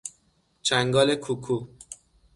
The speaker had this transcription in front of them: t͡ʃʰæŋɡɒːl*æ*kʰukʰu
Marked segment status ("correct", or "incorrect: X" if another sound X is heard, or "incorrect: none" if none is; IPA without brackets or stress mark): incorrect: e